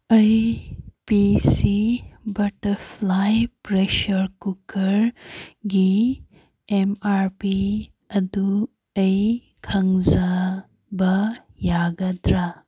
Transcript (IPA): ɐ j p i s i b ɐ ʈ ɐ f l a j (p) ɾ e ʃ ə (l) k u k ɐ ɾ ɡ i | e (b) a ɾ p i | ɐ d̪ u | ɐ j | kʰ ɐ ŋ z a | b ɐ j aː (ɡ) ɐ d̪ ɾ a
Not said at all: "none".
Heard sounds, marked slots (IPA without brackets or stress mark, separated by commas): p, ɾ, m, ɡ